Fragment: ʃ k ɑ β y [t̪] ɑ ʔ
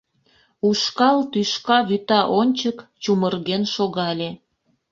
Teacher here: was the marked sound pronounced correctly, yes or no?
yes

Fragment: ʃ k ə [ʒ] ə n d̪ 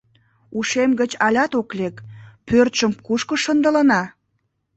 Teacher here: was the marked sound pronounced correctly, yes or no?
no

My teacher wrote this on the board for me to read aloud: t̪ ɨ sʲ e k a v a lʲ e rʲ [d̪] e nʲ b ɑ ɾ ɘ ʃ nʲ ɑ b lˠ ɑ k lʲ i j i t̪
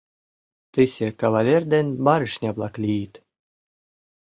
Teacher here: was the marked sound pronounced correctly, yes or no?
yes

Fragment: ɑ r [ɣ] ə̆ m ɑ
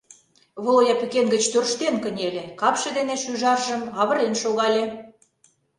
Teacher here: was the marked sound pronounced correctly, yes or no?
no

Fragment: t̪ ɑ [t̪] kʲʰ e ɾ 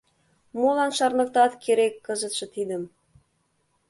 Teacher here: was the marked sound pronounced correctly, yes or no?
yes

